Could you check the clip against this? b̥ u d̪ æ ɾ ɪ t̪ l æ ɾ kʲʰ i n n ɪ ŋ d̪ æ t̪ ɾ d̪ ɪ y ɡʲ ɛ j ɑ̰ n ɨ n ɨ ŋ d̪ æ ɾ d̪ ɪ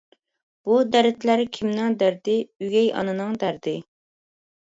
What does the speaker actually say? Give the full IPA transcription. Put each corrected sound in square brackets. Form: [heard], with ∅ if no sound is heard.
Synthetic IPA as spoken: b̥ u d̪ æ ɾ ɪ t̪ l æ ɾ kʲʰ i [m] n ɪ ŋ d̪ æ [∅] ɾ d̪ ɪ y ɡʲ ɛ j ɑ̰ n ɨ n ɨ ŋ d̪ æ ɾ d̪ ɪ